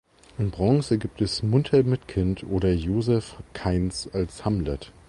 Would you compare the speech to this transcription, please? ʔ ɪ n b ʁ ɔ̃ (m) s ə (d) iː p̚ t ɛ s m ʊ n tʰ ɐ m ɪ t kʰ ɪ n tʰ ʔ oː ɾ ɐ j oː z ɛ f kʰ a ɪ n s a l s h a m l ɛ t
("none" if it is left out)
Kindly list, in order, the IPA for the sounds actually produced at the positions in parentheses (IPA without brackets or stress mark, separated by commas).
ŋ, ɡ